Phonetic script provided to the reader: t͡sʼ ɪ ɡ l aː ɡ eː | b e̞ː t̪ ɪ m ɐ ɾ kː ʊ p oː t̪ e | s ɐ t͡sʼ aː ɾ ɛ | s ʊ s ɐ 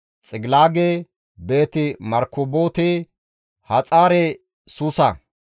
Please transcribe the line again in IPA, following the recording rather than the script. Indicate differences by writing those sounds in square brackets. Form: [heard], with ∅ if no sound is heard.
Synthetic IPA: t͡sʼ ɪ ɡ l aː ɡ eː | b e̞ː t̪ ɪ m ɐ ɾ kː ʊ [b] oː t̪ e | [h] ɐ t͡sʼ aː ɾ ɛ | s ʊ s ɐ